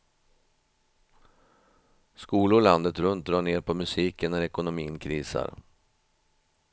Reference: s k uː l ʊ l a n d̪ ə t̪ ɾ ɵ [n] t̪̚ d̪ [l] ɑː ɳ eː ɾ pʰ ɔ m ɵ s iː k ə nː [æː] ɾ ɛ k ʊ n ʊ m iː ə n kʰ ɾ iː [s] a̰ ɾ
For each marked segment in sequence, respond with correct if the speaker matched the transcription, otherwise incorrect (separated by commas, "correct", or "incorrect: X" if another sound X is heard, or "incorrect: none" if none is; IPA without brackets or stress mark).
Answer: correct, incorrect: ɾ, incorrect: æ, correct